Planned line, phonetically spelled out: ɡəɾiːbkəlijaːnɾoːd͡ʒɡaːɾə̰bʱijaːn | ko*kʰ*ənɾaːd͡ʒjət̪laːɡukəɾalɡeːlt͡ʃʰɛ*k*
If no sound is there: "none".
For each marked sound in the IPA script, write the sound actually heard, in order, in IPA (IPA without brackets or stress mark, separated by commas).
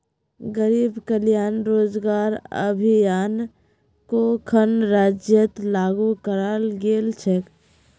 kʰ, k